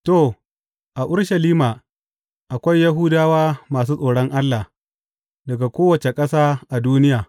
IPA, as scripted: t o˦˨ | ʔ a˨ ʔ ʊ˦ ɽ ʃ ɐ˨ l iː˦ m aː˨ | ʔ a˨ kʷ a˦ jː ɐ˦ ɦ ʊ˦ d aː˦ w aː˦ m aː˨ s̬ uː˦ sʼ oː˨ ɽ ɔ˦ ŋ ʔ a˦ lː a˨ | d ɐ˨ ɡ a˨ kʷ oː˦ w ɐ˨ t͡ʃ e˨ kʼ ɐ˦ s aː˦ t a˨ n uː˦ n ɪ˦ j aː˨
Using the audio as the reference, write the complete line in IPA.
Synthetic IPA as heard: t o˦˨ | ʔ a˨ ʔ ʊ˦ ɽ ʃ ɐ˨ l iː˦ m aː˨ | ʔ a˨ kʷ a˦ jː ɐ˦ ɦ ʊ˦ d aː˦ w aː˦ m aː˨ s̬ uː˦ sʼ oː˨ ɽ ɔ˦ ŋ ʔ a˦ lː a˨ | d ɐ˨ ɡ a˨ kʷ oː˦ w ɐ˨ t͡ʃ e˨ kʼ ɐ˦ s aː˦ ʔ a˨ d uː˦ n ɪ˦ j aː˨